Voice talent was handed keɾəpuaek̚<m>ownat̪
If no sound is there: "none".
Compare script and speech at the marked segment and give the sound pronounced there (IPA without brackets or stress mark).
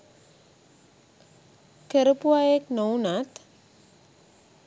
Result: n